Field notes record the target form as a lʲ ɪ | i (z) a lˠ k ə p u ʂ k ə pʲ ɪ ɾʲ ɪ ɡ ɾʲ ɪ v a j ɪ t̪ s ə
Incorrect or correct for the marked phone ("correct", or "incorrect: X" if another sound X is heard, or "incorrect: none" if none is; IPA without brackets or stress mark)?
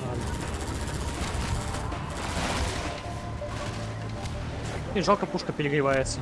incorrect: ʐ